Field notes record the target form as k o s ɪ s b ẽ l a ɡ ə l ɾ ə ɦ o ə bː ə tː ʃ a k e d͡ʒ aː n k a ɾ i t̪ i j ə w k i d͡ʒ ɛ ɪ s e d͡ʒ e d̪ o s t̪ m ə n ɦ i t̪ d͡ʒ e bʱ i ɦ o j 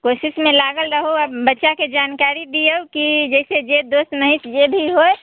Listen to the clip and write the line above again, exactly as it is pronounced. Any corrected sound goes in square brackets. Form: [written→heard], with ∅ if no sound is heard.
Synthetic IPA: k o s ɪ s [b→m] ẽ l a ɡ ə l ɾ ə ɦ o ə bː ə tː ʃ a k e d͡ʒ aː n k a ɾ i [t̪→d̪] i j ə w k i d͡ʒ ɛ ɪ s e d͡ʒ e d̪ o s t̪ m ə [n→∅] ɦ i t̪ d͡ʒ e bʱ i ɦ o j